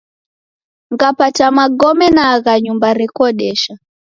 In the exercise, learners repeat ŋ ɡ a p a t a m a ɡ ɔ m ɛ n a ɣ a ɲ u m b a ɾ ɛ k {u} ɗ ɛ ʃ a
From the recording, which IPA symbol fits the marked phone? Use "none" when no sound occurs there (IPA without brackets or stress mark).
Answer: ɔ